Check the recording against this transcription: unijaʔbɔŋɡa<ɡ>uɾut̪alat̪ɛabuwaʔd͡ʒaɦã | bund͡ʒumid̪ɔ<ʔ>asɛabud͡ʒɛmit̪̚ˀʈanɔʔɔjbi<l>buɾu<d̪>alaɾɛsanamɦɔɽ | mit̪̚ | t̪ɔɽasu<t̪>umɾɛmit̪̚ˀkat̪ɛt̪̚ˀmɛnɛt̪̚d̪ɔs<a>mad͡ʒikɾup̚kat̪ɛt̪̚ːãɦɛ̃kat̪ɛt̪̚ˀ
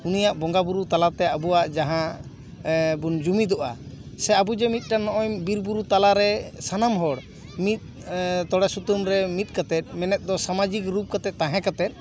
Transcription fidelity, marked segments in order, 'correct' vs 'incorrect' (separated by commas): incorrect, correct, incorrect, incorrect, correct, correct